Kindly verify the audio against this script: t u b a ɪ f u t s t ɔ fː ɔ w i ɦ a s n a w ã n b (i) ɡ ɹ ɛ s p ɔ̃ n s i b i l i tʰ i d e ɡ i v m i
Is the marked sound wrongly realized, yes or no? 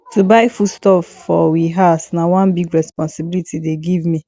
no